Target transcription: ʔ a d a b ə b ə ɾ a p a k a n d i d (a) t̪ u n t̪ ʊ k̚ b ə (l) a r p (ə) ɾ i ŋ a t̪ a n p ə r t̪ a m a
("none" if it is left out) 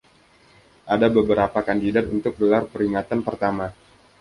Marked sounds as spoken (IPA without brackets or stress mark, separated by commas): a, l, ə